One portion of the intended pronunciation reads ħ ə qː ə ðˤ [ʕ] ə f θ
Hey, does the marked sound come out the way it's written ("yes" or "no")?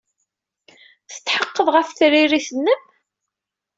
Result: no